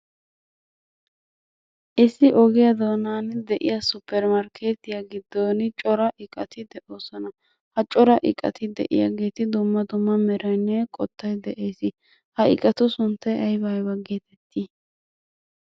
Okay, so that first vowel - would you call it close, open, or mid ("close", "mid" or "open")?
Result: close